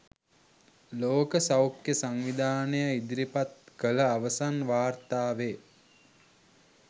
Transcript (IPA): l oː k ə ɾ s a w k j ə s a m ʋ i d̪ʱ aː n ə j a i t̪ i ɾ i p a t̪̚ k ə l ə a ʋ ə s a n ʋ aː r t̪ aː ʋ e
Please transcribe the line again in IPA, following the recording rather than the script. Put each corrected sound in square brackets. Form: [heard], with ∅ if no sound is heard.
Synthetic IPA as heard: l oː k ə [∅] s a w k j ə s a [ŋ] ʋ i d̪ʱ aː n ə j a i [d̪] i ɾ i p a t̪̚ k ə l ə a ʋ ə s a n ʋ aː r t̪ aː ʋ e

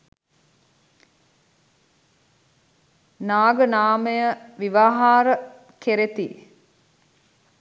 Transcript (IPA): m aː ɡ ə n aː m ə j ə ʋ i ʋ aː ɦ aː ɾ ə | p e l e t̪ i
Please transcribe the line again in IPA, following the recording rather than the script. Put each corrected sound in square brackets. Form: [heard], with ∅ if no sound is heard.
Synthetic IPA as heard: [n] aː ɡ ə n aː m ə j ə ʋ i ʋ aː ɦ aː ɾ ə | [k] e [ɾ] e t̪ i

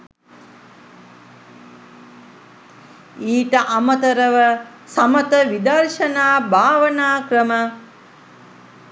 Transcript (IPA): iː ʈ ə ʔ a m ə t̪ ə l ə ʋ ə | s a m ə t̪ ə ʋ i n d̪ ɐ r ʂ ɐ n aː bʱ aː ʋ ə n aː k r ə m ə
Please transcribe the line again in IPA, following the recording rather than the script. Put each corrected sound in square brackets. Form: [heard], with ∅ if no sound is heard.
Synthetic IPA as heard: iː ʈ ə ʔ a m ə t̪ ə [ɾ] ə ʋ ə | s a m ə t̪ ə ʋ i [∅] d̪ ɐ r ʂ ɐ n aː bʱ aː ʋ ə n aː k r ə m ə

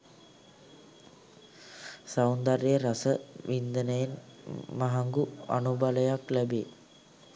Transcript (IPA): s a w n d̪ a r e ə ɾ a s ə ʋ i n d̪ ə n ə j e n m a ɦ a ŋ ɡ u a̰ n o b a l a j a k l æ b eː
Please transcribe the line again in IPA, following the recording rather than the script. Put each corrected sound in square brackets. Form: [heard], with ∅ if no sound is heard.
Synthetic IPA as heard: s a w n d̪ a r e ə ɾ a s ə ʋ i n d̪ ə n ə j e n m a ɦ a ŋ ɡ u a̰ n [u] b a l [ə] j a k l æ b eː

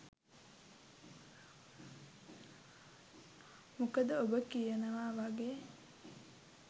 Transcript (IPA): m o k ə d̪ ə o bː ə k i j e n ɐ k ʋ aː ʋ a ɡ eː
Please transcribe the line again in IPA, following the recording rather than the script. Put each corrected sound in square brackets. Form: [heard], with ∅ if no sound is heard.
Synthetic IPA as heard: m [u] k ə d̪ ə o [b] ə k i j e n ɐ [∅] ʋ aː ʋ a ɡ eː

